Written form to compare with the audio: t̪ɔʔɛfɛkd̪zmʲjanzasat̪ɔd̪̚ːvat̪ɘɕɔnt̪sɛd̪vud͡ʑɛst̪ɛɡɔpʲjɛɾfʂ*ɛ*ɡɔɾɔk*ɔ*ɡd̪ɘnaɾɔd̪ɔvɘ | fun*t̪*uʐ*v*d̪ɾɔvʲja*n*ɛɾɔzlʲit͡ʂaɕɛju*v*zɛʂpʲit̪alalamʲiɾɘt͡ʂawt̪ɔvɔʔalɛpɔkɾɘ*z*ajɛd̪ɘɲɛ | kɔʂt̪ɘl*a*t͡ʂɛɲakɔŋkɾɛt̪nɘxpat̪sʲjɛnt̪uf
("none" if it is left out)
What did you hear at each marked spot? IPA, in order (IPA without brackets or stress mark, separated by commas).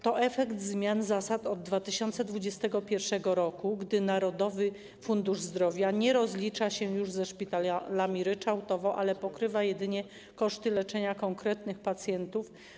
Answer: ɛ, u, d̪, z, ɲ, ʐ, v, ɛ